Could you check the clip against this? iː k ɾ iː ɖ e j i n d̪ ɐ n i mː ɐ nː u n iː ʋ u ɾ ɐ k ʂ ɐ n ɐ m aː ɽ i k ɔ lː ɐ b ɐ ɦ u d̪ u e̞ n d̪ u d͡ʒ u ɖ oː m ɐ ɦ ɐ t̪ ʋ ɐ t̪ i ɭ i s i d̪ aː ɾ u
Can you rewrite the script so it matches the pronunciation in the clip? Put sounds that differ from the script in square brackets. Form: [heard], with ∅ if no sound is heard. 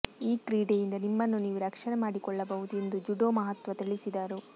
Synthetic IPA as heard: iː k ɾ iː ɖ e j i n d̪ ɐ n i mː ɐ nː u n iː ʋ u ɾ ɐ k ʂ ɐ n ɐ m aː ɽ i k ɔ [ɭː] ɐ b ɐ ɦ u d̪ u e̞ n d̪ u d͡ʒ u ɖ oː m ɐ ɦ ɐ t̪ ʋ ɐ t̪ i ɭ i s i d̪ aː ɾ u